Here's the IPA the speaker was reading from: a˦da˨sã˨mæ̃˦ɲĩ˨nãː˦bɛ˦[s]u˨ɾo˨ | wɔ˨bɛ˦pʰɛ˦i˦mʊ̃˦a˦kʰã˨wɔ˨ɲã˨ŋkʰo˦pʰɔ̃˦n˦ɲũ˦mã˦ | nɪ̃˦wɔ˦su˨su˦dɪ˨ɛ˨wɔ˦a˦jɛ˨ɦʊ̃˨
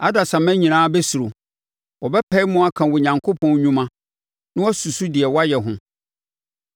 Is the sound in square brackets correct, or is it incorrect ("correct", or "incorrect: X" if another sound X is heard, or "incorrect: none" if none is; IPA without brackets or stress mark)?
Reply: correct